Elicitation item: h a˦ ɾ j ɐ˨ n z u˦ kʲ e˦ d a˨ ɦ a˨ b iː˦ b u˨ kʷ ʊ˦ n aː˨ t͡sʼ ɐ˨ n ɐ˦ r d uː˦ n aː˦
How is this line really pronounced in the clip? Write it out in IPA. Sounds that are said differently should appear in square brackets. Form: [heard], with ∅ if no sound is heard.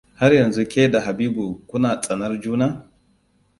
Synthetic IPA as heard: h a˦ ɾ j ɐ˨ n z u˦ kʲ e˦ d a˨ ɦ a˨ b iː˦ b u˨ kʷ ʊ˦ n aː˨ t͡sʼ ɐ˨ n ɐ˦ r [d͡ʒ] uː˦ n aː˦